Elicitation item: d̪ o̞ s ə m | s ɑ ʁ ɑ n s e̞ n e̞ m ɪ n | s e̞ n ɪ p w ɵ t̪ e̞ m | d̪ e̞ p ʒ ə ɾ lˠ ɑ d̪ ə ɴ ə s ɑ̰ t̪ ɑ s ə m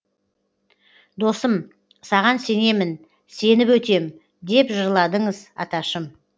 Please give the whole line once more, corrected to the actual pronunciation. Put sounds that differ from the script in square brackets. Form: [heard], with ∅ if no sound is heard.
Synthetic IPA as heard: d̪ o̞ s ə m | s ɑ ʁ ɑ n s e̞ n e̞ m ɪ n | s e̞ n ɪ p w ɵ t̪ e̞ m | d̪ e̞ p ʒ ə ɾ lˠ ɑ d̪ ə ɴ ə [z] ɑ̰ t̪ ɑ [ʃ] ə m